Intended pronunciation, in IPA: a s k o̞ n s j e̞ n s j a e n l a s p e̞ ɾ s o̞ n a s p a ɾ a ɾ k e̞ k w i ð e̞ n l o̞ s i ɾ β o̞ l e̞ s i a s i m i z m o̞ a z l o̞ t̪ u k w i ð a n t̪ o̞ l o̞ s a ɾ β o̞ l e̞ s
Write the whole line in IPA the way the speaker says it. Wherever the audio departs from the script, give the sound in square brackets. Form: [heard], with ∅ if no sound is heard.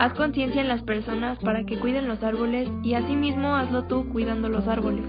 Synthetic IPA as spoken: a s k o̞ n s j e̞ n s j a e n l a s p e̞ ɾ s o̞ n a s p a ɾ a [∅] k e̞ k w i ð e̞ n l o̞ s [a] ɾ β o̞ l e̞ s i a s i m i z m o̞ a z l o̞ t̪ u k w i ð a n [d̪] o̞ l o̞ s a ɾ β o̞ l e̞ s